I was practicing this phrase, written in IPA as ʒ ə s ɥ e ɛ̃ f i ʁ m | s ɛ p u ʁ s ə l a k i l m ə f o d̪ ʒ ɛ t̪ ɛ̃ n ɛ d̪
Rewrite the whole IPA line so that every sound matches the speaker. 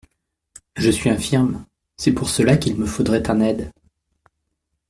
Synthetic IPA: ʒ ə s ɥ i ɛ̃ f i ʁ m | s ɛ p u ʁ s ə l a k i l m ə f o d̪ ʁ ɛ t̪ ɛ̃ n ɛ d̪